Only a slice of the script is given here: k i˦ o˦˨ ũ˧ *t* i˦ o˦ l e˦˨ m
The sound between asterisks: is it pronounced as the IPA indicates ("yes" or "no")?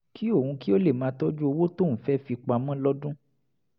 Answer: no